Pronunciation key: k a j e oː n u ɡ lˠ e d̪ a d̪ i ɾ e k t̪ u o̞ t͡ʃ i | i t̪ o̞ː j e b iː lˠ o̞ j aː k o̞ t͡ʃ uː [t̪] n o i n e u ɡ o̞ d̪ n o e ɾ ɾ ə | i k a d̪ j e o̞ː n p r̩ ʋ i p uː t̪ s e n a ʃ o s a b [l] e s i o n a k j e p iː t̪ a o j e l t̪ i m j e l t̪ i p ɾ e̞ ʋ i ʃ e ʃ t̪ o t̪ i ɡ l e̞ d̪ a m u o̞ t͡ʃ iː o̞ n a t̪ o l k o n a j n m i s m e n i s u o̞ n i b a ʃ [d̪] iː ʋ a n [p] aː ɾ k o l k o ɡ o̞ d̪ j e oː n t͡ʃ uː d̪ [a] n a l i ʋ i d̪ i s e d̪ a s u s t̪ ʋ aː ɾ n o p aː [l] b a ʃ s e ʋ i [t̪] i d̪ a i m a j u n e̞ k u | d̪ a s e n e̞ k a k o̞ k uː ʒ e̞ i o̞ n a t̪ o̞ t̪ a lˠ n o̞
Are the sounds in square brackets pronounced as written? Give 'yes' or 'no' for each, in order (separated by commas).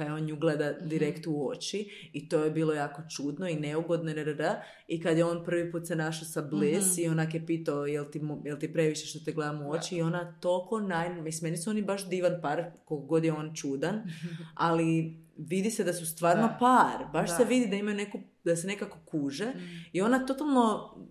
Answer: no, yes, yes, yes, yes, no, no